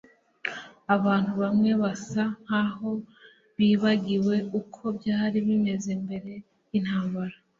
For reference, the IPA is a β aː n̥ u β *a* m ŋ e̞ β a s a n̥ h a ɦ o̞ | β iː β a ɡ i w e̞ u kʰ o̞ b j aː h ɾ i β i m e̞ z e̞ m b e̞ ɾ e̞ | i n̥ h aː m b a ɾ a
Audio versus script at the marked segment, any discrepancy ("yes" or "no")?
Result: no